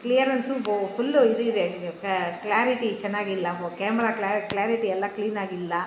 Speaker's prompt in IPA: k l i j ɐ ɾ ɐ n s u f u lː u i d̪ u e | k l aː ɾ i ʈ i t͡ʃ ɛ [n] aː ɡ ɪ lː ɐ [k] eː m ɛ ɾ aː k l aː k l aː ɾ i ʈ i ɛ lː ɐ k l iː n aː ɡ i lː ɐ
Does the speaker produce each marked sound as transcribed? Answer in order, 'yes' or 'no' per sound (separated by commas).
no, yes